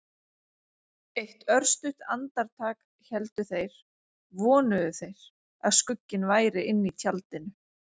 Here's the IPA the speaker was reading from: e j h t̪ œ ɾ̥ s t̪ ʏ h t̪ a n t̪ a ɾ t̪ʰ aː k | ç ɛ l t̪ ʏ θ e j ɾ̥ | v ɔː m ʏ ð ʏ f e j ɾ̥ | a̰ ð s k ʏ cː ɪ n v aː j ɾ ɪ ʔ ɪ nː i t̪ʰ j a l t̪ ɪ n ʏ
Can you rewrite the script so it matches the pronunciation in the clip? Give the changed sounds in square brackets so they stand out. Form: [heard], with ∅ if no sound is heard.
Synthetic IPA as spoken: e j h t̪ œ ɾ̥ s t̪ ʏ h t̪ a n t̪ a ɾ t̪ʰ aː k | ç ɛ l t̪ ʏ θ e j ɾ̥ | v ɔː [n] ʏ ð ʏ [θ] e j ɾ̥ | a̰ ð s k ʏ cː ɪ n v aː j ɾ ɪ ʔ ɪ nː i t̪ʰ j a l t̪ ɪ n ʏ

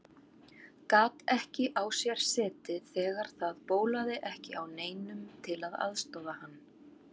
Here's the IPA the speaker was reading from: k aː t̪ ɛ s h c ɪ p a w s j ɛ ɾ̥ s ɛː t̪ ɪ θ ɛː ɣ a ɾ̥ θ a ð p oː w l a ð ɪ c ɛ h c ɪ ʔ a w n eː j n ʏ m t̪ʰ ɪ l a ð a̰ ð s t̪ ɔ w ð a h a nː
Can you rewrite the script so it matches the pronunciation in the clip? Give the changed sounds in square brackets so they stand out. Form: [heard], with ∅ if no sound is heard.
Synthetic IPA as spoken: k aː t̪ ɛ [∅] h c ɪ [ʔ] a w s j ɛ ɾ̥ s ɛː t̪ ɪ θ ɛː ɣ a ɾ̥ θ a ð p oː w l a ð ɪ [ʔ] ɛ h c ɪ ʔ a w n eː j n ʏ m t̪ʰ ɪ l a ð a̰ ð s t̪ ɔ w ð a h a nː

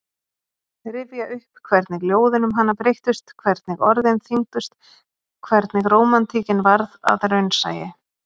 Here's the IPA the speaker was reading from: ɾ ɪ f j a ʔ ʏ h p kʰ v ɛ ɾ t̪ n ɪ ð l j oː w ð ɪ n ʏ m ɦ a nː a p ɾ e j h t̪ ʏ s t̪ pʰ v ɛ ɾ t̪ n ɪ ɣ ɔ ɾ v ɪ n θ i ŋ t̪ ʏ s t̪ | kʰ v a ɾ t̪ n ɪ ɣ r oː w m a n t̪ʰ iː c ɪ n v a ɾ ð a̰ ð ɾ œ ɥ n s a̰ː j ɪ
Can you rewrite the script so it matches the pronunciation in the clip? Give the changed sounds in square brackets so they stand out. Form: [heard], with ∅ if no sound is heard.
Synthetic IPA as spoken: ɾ ɪ [v] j a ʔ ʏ h p kʰ v ɛ ɾ t̪ n ɪ [ɣ] l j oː w ð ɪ n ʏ m ɦ a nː a p ɾ e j h t̪ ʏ s t̪ [kʰ] v ɛ ɾ t̪ n ɪ ɣ ɔ ɾ [ð] ɪ n θ i ŋ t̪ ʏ s t̪ | kʰ v [ɛ] ɾ t̪ n ɪ ɣ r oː w m a n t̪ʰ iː c ɪ n v a ɾ ð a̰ ð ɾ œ ɥ n s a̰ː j ɪ

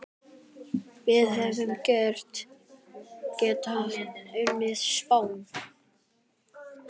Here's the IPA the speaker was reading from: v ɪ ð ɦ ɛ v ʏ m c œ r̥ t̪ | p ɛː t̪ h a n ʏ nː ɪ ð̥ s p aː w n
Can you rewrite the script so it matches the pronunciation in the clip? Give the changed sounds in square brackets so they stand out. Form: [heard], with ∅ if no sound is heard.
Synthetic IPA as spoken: v ɪ ð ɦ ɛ v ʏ m c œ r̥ t̪ | [c] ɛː t̪ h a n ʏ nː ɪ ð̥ s p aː w n

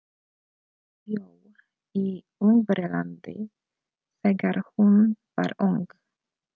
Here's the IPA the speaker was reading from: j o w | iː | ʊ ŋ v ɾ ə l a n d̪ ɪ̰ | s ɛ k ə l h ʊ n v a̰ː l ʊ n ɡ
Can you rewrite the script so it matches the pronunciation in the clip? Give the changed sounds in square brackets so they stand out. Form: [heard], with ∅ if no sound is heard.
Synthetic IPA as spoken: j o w | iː | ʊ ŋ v ɾ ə l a n d̪ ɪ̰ | s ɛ [ɡ] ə [ɾ] h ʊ n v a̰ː [ɾ] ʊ [ŋ] ɡ

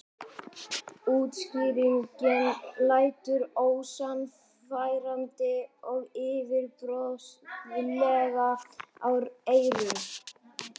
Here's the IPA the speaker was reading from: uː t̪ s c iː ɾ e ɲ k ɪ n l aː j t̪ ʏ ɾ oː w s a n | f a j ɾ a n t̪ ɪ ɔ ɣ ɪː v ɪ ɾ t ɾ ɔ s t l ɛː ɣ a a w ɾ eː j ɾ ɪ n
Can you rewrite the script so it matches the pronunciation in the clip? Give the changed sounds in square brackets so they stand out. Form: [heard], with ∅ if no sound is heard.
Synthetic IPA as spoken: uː t̪ s c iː ɾ [i] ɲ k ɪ n l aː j t̪ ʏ ɾ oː w s a n | f a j ɾ a n t̪ ɪ ɔ ɣ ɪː v ɪ ɾ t ɾ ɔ s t l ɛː ɣ a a w ɾ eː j ɾ ɪ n

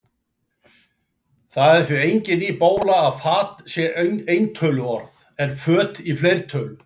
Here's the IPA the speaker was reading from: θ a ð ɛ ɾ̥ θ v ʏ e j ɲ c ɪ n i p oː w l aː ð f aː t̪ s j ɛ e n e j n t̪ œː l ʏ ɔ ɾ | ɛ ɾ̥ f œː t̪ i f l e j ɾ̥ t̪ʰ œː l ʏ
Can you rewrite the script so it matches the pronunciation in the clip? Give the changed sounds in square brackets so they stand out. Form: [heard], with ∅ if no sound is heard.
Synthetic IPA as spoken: θ a ð ɛ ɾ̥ θ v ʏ e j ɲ c ɪ n i p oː w l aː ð f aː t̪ s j ɛ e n e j n [t̪ʰ] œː l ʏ ɔ ɾ | ɛ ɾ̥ f œː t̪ i f l e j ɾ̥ t̪ʰ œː l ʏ

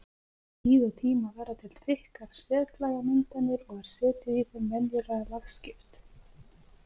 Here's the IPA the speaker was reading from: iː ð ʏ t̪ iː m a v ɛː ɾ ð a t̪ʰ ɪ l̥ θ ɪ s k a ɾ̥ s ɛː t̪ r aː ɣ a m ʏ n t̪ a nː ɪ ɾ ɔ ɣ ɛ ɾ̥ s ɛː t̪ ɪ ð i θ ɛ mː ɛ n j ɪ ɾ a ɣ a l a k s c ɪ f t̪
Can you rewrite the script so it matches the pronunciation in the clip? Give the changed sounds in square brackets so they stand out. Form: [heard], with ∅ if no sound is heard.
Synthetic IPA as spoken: iː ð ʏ [t̪ʰ] iː m a v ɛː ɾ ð a t̪ʰ ɪ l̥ θ ɪ [h] k a ɾ̥ s ɛː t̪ [l] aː ɣ a m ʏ n t̪ a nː ɪ ɾ ɔ ɣ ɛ ɾ̥ s ɛː t̪ ɪ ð i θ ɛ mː ɛ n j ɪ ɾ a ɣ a l a [x] s c ɪ f t̪

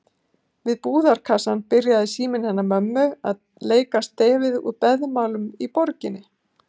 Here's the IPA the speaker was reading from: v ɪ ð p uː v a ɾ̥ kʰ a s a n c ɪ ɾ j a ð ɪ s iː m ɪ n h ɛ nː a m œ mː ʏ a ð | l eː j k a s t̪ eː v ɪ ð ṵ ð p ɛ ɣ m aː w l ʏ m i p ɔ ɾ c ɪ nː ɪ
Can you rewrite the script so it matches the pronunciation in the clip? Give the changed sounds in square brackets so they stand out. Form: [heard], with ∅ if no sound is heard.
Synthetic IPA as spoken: v ɪ ð p uː [ð] a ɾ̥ kʰ a s a n [p] ɪ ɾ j a ð ɪ s iː m ɪ n h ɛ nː a m œ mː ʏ a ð | l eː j k a s t̪ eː v ɪ ð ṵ ð p ɛ [ð] m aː w l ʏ m i p ɔ ɾ c ɪ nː ɪ

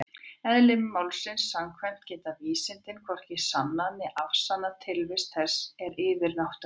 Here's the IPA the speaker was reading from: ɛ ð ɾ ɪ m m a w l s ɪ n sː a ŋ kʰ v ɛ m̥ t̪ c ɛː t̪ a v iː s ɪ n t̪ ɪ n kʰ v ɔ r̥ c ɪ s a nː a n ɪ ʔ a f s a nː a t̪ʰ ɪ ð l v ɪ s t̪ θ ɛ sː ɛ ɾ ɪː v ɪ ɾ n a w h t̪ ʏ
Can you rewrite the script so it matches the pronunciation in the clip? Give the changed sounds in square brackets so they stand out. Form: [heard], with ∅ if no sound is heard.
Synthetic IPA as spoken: ɛ ð [l] ɪ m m a w l s ɪ n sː a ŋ kʰ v ɛ m̥ t̪ c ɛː t̪ a v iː s ɪ n t̪ ɪ n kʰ v ɔ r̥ c ɪ s a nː a n ɪ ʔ a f s a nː a t̪ʰ ɪ [∅] l v ɪ s t̪ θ ɛ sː ɛ ɾ ɪː v ɪ ɾ n a w h t̪ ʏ

